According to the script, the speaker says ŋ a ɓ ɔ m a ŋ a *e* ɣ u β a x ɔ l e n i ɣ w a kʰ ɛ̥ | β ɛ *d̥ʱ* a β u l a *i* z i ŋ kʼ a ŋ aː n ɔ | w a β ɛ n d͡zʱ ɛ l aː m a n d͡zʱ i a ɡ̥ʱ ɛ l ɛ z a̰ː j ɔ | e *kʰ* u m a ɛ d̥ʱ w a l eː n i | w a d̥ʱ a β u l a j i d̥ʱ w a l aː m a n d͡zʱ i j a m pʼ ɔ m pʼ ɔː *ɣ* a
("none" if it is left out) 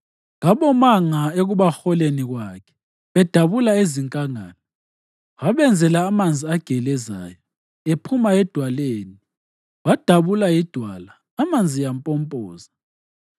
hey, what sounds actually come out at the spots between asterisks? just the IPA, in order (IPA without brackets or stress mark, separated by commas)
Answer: e, d̥ʱ, e, pʰ, z